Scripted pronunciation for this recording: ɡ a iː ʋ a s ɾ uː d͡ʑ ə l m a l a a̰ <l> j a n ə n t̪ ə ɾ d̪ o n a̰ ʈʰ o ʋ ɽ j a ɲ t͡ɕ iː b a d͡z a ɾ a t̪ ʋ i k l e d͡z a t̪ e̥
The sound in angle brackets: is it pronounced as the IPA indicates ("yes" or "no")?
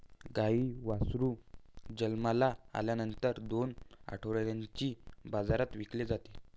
yes